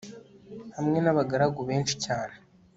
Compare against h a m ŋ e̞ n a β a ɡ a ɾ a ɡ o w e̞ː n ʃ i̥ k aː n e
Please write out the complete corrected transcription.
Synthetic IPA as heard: h a m ŋ e̞ n a β a ɡ a ɾ a ɡ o β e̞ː n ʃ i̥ c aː n e